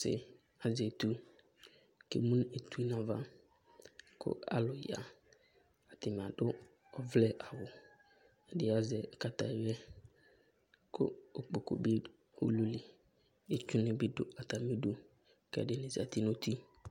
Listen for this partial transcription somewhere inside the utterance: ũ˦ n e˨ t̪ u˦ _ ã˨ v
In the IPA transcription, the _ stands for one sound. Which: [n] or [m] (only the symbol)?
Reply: n